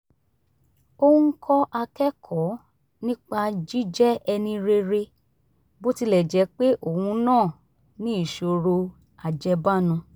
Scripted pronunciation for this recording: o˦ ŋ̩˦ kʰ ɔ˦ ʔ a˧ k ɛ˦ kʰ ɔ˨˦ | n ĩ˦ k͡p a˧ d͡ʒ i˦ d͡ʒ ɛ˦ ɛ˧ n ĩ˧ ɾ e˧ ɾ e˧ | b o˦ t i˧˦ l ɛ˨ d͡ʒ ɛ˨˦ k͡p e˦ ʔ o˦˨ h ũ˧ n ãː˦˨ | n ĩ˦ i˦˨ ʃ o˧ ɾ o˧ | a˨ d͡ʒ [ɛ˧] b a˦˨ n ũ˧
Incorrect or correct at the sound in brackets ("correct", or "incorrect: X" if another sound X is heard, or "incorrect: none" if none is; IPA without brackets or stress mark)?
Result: correct